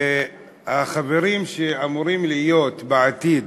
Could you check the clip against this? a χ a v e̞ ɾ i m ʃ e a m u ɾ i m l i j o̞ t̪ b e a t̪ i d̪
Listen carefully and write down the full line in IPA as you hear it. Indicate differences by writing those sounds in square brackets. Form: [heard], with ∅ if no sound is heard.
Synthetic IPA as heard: a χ a v e̞ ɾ i m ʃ e a m u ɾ i m l i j o̞ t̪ b e a t̪ i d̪